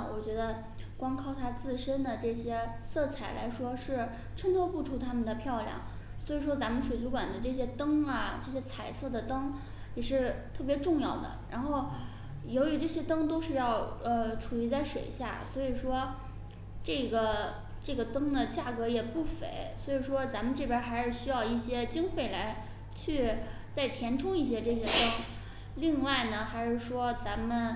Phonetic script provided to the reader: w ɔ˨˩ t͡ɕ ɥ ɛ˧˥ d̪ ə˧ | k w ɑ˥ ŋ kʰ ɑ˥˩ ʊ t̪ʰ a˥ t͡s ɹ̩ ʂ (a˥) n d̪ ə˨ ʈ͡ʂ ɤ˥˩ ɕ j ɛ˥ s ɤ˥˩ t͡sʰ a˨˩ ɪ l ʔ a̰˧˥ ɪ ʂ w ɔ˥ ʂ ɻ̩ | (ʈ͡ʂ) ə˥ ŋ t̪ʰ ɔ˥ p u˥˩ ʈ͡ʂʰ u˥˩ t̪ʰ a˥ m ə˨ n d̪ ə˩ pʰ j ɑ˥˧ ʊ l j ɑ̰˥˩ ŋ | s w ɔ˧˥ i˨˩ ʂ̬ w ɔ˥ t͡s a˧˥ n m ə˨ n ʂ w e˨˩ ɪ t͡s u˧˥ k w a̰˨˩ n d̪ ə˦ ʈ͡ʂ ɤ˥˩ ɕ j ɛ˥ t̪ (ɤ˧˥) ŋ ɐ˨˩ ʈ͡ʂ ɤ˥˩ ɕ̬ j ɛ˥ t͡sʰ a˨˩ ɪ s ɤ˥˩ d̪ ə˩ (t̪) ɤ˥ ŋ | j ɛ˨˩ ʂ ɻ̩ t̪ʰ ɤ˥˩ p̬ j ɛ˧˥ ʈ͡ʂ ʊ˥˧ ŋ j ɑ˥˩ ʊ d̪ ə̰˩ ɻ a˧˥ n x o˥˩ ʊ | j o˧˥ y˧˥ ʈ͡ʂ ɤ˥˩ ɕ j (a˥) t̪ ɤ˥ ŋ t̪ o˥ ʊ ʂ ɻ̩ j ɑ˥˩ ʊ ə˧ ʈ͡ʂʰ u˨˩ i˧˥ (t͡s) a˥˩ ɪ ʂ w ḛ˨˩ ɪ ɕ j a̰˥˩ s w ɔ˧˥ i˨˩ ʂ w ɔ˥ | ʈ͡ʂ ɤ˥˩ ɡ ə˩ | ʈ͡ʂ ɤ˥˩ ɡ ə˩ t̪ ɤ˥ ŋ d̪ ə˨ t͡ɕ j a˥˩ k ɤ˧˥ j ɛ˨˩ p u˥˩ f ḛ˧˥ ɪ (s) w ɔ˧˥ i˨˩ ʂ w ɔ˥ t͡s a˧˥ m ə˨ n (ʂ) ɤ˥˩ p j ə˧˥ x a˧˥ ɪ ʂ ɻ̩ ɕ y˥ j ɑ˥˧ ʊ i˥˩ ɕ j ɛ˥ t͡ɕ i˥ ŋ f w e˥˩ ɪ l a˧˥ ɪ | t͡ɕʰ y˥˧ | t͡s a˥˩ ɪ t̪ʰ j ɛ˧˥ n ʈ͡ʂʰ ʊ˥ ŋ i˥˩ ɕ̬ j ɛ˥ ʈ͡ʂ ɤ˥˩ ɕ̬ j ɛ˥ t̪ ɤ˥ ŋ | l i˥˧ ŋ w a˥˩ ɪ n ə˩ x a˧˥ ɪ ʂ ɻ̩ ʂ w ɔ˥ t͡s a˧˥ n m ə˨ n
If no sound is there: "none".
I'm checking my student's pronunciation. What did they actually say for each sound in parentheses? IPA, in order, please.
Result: ə˥, ʈ͡ʂʰ, ɤ˥, t̪, ɛ˥, t͡s, s, ʈ͡ʂ

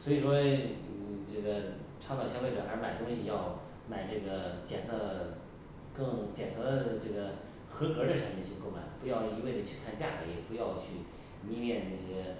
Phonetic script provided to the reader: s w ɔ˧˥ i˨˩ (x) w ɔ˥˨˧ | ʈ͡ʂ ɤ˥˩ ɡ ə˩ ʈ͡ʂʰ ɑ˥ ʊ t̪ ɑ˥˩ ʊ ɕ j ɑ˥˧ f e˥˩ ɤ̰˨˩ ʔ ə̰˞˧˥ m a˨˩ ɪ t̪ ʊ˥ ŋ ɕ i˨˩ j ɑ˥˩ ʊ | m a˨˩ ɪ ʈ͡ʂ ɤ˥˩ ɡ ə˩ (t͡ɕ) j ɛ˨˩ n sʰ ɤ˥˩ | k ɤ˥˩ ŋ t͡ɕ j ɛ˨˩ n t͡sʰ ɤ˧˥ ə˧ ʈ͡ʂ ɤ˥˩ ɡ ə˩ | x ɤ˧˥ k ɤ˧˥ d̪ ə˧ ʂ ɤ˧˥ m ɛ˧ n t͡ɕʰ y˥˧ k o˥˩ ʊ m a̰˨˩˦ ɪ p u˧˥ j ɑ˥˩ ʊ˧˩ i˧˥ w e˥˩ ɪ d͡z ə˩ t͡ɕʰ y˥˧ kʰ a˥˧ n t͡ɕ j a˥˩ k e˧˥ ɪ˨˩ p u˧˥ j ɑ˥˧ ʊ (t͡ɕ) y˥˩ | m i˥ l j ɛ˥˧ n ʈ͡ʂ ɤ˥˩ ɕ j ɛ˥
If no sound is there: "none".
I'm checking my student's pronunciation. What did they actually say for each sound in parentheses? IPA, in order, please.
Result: ʂ, t͡ɕ, t͡ɕʰ

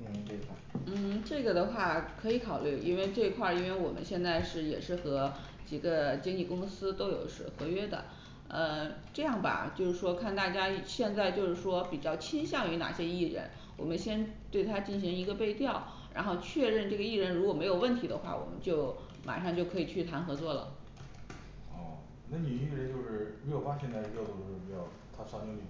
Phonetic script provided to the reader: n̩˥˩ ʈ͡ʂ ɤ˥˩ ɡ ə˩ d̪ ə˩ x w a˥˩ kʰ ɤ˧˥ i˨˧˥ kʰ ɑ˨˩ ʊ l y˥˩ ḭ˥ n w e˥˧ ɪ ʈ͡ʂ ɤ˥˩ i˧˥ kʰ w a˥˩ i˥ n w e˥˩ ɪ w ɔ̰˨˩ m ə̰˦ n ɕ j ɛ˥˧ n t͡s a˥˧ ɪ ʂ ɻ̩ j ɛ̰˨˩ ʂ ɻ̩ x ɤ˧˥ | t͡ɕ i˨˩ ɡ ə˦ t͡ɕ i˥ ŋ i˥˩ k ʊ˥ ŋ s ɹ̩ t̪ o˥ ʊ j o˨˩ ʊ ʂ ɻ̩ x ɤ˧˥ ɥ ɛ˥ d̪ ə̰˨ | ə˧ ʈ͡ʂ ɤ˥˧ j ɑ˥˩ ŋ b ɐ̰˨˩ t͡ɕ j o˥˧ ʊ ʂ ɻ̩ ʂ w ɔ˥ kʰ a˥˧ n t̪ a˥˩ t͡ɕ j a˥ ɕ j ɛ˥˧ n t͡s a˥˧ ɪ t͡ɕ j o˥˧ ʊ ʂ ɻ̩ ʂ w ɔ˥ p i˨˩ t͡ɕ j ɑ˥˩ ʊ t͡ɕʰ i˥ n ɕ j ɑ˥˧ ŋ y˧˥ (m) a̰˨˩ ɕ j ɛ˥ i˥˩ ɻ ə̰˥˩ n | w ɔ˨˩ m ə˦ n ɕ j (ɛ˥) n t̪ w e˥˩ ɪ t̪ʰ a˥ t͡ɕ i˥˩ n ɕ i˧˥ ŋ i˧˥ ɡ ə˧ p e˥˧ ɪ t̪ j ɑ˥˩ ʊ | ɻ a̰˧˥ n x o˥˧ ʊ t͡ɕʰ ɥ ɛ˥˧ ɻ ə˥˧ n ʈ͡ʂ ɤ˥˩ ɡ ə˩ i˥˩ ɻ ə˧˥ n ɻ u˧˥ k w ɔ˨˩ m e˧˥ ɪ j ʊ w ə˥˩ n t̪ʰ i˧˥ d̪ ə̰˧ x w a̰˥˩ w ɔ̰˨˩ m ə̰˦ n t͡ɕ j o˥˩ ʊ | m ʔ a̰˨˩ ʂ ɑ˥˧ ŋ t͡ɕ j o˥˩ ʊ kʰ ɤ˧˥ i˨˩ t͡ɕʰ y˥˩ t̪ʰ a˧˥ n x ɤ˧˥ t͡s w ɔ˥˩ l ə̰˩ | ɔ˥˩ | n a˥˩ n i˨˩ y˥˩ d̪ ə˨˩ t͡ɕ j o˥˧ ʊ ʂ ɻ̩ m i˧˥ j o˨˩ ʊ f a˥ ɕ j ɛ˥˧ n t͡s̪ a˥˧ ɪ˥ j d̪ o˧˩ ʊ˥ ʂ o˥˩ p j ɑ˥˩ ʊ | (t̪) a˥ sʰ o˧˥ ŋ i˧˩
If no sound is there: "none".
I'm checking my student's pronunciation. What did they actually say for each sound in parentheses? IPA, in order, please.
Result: n, ɛ˥, t̪ʰ

